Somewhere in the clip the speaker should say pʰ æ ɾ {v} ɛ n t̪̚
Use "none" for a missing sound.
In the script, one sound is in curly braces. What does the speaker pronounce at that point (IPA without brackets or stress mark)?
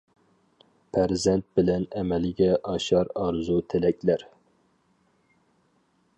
z